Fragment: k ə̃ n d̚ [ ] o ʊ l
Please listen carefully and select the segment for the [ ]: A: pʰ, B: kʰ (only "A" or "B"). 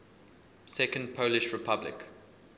A